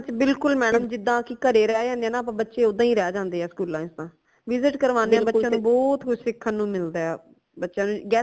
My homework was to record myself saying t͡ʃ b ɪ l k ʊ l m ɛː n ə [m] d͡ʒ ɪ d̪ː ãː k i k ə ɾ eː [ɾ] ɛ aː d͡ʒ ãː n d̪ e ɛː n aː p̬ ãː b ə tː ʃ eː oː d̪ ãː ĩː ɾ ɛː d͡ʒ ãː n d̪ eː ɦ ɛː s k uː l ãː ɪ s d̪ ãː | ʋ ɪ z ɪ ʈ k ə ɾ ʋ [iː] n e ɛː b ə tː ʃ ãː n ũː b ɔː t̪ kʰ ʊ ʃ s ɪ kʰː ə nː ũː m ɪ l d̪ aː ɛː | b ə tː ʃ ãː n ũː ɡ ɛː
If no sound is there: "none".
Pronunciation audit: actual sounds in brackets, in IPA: m, ɾ, aː

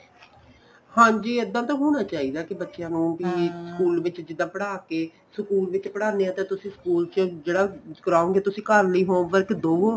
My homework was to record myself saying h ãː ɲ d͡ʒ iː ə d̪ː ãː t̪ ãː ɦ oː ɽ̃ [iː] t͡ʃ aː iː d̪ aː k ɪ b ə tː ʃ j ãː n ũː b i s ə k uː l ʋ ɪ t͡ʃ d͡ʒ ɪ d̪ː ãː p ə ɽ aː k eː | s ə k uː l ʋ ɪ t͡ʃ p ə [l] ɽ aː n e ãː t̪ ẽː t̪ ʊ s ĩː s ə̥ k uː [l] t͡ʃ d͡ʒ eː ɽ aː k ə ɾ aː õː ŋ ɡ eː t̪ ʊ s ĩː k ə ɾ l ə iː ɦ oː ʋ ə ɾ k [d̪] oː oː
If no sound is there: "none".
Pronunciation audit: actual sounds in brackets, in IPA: aː, none, l, d̪

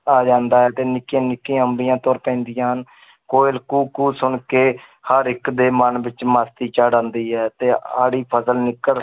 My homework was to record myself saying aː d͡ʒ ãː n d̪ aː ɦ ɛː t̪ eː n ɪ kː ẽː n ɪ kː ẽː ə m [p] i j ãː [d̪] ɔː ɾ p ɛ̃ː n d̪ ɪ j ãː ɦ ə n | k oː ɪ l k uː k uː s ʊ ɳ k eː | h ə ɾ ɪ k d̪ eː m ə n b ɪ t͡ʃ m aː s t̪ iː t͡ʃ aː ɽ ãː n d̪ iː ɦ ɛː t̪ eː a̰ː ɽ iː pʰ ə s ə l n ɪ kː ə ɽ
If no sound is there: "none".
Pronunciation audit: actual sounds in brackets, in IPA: b, t̪

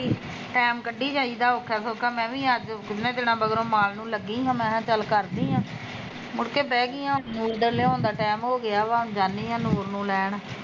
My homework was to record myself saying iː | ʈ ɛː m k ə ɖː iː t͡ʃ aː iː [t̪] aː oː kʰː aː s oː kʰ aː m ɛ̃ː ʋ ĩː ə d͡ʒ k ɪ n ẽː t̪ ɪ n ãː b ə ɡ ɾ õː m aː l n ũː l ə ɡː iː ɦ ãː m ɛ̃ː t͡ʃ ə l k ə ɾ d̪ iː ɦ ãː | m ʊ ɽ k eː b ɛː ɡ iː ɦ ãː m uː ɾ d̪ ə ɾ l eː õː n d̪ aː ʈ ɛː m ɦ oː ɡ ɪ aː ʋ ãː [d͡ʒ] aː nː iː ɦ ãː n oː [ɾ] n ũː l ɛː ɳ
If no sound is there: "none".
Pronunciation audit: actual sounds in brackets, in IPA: d̪, d͡ʒ, ɾ

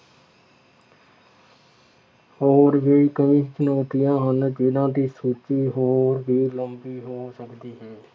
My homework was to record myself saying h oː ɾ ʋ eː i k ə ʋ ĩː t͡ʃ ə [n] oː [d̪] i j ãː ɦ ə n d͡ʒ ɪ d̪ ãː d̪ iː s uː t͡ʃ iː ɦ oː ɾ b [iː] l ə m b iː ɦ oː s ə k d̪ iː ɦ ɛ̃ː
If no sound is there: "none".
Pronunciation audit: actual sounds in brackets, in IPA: n, t̪, iː

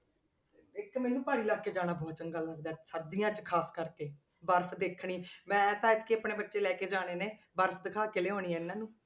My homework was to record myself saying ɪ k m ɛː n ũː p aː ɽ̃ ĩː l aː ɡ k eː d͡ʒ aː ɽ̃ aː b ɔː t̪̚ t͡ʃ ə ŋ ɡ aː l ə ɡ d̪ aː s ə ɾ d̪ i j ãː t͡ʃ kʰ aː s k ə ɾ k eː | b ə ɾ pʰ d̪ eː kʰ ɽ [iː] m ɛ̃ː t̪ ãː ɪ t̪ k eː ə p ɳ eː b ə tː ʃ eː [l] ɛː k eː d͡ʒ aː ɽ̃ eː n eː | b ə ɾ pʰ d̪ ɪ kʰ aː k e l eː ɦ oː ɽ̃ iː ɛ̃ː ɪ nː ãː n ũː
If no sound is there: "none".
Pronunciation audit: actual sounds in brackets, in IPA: iː, l

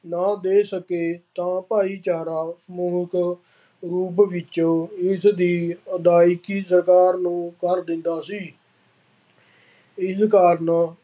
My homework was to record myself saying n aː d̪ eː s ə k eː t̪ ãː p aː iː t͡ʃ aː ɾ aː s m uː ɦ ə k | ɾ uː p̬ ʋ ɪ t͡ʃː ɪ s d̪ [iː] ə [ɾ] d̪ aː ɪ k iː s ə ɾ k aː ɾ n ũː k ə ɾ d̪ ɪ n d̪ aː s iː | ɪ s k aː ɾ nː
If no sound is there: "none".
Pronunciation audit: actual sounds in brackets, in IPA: iː, none

